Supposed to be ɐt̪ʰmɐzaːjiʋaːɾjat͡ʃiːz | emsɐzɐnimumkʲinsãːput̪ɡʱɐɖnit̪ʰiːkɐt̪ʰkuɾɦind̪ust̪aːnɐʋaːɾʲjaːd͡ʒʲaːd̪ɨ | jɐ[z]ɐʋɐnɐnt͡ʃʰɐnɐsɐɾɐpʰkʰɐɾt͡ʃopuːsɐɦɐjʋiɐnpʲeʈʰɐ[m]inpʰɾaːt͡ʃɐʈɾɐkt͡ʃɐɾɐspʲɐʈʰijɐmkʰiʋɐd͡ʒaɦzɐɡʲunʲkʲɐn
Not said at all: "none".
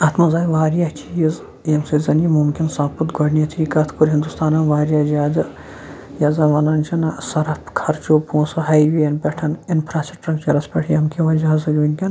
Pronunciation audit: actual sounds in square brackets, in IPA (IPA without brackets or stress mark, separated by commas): z, n